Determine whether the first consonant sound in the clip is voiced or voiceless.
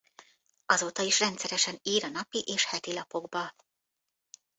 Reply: voiced